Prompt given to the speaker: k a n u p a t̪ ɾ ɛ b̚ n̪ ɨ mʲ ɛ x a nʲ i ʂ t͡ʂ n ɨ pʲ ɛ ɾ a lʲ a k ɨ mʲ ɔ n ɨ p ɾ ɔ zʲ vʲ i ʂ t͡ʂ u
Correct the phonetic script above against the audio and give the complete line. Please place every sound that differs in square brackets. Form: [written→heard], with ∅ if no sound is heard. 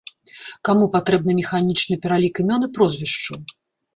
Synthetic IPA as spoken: k a [n→m] u p a t̪ ɾ ɛ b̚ n̪ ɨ mʲ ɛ x a nʲ i [ʂ→∅] t͡ʂ n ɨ pʲ ɛ ɾ a lʲ [a→i] k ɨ mʲ ɔ n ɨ p ɾ ɔ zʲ vʲ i ʂ t͡ʂ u

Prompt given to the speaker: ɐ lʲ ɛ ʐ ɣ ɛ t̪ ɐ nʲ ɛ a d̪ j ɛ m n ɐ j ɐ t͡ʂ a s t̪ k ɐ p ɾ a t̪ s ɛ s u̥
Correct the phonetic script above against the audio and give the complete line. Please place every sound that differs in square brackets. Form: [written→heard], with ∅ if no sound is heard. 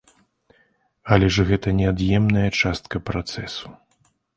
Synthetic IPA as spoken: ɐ lʲ ɛ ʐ ɣ ɛ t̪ ɐ nʲ ɛ a d̪ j ɛ m n ɐ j ɐ t͡ʂ a s t̪ k ɐ p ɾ a t̪ s ɛ s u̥

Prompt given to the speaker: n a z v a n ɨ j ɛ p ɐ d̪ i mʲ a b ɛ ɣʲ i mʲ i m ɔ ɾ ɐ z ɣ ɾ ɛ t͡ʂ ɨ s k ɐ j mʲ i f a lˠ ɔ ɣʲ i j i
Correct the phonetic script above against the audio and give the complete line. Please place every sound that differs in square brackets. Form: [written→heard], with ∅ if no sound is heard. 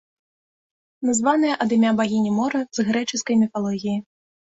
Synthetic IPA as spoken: n a z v a n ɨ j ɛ [p→ʔ] ɐ d̪ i mʲ a b [ɛ→a] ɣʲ i [mʲ→nʲ] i m ɔ ɾ ɐ z ɣ ɾ ɛ t͡ʂ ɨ s k ɐ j mʲ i f a lˠ ɔ ɣʲ i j i

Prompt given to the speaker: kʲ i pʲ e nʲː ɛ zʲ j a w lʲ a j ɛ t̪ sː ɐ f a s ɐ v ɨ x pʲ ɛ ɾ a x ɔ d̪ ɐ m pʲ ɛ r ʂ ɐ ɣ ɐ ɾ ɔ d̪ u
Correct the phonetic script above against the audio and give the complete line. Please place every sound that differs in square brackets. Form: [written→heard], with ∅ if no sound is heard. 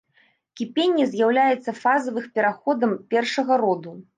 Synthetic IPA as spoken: kʲ i pʲ e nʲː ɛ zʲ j a w lʲ a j ɛ t̪ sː ɐ f a [s→z] ɐ v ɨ x pʲ ɛ ɾ a x ɔ d̪ ɐ m pʲ ɛ r ʂ ɐ ɣ ɐ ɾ ɔ d̪ u

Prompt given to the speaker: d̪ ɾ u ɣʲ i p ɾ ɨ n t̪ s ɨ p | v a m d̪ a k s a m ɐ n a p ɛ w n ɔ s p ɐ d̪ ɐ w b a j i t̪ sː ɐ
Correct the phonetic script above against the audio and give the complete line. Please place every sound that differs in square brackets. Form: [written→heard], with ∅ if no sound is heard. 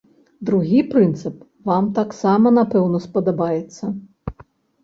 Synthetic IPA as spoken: d̪ ɾ u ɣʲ i p ɾ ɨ n t̪ s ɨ p | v a m [d̪→t̪] a k s a m ɐ n a p ɛ w n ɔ s p ɐ d̪ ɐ [w→∅] b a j [i→ɛ] t̪ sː ɐ

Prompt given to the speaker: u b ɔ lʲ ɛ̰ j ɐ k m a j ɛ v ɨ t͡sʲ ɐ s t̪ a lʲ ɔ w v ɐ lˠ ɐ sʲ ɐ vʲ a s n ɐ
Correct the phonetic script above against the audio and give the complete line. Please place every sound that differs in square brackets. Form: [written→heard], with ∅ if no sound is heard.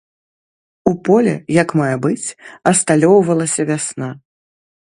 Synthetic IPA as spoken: u [b→p] ɔ lʲ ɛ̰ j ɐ k m a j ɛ [v→b] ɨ t͡sʲ ɐ s t̪ a lʲ ɔ w v ɐ lˠ ɐ sʲ ɐ vʲ a s n [ɐ→a]

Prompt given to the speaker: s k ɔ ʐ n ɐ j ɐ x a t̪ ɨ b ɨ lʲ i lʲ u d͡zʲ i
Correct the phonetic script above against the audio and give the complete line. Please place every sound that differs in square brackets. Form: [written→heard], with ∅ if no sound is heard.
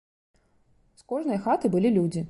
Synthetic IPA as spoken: s k ɔ ʐ n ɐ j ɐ x a t̪ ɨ b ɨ lʲ i lʲ u d͡zʲ i

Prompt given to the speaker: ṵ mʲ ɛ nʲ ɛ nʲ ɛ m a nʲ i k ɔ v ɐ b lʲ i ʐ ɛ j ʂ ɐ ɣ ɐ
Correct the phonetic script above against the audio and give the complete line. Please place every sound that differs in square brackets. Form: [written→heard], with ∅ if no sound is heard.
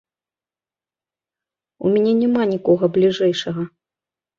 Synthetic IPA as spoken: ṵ mʲ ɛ nʲ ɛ nʲ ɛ m a nʲ i k ɔ [v→ɣ] ɐ b lʲ i ʐ ɛ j ʂ ɐ ɣ ɐ

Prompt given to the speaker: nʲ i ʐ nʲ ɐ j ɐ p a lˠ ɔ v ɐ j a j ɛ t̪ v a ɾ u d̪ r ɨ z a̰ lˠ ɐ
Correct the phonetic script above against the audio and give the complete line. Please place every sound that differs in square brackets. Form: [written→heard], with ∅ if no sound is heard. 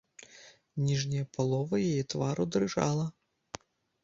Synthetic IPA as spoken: nʲ i ʐ nʲ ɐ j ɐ p a lˠ ɔ v ɐ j a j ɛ t̪ v a ɾ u d̪ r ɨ [z→ʐ] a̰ lˠ ɐ

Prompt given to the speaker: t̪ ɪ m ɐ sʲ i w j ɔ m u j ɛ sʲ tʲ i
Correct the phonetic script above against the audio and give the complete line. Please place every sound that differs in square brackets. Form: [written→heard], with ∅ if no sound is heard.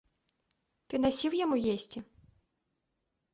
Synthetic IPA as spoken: t̪ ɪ [m→n] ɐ sʲ i w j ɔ m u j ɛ sʲ tʲ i

